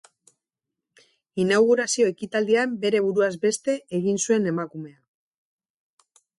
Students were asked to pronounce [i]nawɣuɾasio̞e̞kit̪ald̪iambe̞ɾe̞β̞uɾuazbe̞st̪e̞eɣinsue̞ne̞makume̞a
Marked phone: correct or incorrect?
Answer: correct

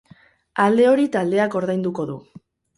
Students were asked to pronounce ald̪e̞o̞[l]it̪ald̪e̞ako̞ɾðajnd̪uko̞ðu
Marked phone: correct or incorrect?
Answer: incorrect: ɾ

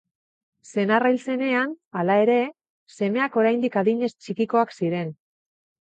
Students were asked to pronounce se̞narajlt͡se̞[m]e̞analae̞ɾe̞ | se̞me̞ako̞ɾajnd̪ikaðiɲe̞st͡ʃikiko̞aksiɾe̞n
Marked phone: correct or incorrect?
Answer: incorrect: n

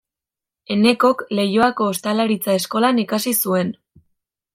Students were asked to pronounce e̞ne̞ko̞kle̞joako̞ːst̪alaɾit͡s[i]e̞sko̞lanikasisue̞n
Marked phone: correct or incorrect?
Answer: incorrect: a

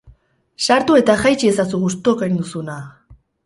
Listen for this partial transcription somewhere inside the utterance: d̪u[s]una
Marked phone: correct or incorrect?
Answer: correct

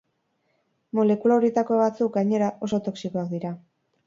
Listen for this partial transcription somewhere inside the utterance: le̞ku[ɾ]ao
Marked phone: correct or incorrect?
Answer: incorrect: l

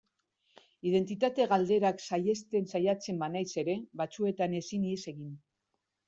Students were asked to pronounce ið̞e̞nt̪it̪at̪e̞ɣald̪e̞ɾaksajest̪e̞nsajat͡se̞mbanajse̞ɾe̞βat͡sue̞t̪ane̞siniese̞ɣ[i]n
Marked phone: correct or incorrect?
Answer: correct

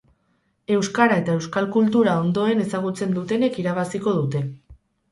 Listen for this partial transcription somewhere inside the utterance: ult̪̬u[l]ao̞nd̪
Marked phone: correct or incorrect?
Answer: incorrect: ɾ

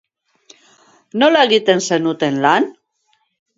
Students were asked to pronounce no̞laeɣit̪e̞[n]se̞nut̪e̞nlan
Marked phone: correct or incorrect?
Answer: correct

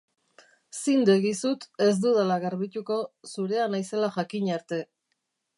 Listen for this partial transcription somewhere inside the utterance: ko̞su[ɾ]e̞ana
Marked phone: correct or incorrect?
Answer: correct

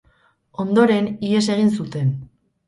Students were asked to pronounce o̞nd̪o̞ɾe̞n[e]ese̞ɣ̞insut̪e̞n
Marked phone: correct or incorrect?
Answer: incorrect: i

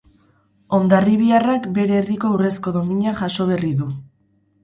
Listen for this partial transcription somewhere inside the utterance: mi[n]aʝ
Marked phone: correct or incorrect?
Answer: incorrect: ɲ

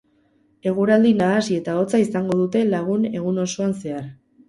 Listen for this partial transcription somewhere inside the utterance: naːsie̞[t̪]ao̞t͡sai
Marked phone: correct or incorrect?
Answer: correct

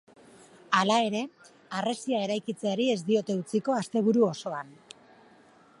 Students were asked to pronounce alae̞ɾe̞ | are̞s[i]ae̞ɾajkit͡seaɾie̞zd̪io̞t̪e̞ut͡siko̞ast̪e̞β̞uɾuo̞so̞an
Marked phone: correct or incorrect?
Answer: correct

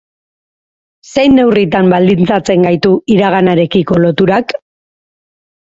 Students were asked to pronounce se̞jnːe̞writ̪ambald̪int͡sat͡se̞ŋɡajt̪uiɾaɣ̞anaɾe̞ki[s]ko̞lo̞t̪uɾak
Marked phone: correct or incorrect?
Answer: incorrect: none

